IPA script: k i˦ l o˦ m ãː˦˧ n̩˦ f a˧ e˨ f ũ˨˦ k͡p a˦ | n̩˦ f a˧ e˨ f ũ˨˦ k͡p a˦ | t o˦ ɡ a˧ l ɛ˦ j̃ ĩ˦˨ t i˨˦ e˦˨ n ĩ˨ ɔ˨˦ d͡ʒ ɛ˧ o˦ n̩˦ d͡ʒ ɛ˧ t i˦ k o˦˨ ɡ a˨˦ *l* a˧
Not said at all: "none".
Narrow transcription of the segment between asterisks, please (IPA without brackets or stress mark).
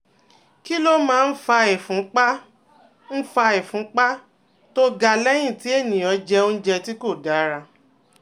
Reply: ɾ